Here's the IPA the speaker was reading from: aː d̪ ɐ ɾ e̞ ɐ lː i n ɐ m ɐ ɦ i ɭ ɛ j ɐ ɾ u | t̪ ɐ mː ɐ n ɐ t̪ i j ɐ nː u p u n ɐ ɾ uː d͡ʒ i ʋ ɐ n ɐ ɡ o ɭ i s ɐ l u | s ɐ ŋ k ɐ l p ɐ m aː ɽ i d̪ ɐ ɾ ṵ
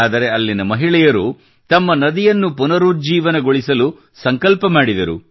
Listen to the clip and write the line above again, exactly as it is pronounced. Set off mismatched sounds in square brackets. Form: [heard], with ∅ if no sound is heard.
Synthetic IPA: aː d̪ ɐ ɾ e̞ ɐ lː i n ɐ m ɐ ɦ i ɭ ɛ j ɐ ɾ u | t̪ ɐ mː ɐ n ɐ [d̪] i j ɐ nː u p u n ɐ ɾ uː d͡ʒ [iː] ʋ ɐ n ɐ ɡ o ɭ i s ɐ l u | s ɐ ŋ k ɐ l p ɐ m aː ɽ i d̪ ɐ ɾ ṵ